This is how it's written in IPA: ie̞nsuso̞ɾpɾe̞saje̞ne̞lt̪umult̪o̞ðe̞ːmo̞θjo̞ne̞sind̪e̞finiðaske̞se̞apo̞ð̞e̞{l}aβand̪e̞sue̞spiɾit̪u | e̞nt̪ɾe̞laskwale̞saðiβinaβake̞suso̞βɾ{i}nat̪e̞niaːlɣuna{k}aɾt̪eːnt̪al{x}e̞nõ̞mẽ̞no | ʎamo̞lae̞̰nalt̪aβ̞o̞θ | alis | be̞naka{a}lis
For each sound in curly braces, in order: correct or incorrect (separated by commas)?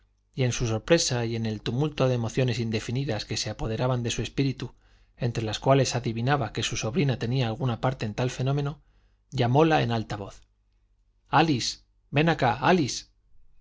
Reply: incorrect, correct, incorrect, incorrect, correct